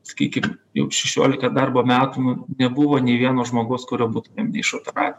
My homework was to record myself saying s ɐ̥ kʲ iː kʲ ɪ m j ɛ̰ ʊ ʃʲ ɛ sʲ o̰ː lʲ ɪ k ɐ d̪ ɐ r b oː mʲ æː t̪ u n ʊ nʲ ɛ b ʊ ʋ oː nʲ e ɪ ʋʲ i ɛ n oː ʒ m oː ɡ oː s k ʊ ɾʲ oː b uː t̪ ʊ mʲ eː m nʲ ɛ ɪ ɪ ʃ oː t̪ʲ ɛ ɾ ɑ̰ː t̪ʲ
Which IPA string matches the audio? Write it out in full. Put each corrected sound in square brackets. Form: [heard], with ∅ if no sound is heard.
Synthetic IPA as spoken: s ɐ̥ kʲ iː kʲ ɪ m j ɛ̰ ʊ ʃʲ ɛ [ʃʲ] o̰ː lʲ ɪ k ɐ d̪ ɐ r b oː mʲ æː t̪ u n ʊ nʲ ɛ b ʊ ʋ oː nʲ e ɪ ʋʲ i ɛ n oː ʒ m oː ɡ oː s k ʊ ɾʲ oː b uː t̪ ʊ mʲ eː m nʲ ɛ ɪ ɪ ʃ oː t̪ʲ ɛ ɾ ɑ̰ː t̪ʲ